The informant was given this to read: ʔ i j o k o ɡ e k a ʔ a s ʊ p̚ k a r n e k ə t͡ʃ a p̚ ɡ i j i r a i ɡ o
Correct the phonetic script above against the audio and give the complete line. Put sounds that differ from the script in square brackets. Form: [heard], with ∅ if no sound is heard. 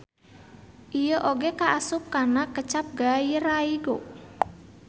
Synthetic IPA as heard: ʔ i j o [ʔ] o ɡ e k a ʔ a s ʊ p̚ k a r n [a] k ə t͡ʃ a p̚ ɡ [a] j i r a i ɡ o